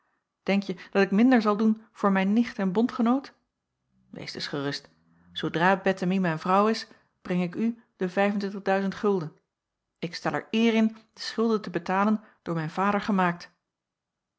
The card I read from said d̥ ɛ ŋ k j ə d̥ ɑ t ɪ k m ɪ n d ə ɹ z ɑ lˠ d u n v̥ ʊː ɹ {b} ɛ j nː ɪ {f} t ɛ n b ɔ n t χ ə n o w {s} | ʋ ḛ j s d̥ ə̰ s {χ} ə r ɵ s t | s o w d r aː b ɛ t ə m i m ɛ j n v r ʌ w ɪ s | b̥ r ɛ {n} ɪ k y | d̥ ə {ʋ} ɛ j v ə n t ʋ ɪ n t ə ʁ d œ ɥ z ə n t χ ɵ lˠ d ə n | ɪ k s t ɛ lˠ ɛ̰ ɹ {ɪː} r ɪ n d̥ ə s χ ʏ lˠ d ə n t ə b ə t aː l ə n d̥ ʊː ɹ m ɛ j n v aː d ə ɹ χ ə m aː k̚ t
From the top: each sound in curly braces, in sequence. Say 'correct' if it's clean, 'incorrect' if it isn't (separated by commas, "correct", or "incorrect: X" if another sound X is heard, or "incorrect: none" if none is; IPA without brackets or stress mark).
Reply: incorrect: m, incorrect: χ, incorrect: t, correct, incorrect: ŋ, incorrect: v, correct